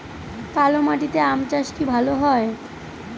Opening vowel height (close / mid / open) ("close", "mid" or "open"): open